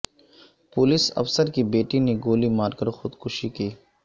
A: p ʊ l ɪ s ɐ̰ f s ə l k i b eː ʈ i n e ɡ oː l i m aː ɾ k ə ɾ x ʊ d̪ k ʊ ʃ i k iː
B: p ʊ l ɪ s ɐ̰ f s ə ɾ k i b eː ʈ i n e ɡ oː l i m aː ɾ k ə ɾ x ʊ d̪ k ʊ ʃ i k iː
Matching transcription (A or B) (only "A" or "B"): B